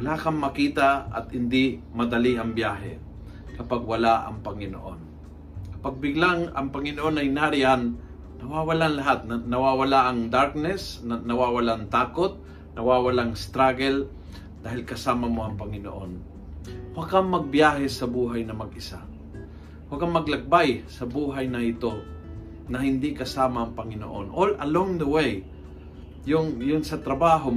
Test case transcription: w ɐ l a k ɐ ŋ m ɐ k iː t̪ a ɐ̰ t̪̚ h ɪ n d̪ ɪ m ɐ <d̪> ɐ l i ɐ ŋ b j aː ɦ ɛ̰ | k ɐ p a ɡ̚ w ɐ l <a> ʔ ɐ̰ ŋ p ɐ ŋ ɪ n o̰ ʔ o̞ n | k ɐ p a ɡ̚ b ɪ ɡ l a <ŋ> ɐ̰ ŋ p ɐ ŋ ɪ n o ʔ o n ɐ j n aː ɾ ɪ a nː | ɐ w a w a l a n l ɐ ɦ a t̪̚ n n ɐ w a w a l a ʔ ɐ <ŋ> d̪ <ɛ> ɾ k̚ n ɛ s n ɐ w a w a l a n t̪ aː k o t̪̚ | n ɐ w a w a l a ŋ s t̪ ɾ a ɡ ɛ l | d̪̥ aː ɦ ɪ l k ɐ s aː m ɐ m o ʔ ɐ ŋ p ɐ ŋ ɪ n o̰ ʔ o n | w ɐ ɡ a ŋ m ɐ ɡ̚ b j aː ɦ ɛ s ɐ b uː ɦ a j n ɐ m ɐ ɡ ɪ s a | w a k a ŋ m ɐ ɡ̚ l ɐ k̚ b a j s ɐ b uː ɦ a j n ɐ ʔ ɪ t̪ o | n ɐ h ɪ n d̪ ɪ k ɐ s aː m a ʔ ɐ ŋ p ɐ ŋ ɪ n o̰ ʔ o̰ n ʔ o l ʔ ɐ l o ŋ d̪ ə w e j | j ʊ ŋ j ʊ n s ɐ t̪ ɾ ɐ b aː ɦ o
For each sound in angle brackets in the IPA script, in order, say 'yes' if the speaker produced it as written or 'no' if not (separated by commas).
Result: yes, yes, yes, yes, no